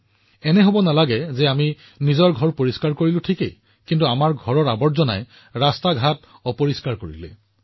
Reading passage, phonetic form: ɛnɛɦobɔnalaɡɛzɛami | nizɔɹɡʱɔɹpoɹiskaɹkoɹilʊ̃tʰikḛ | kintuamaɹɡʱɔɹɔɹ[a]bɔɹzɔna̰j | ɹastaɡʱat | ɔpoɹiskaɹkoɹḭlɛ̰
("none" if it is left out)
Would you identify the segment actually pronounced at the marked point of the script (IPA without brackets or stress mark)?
a